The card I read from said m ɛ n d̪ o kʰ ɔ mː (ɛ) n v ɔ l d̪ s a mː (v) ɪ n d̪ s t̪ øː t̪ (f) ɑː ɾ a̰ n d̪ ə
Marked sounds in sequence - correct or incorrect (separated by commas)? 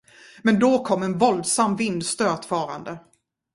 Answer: correct, correct, correct